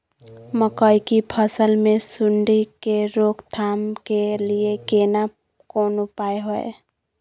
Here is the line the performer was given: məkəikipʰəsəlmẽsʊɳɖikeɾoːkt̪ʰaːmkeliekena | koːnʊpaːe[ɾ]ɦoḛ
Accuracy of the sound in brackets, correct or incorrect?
incorrect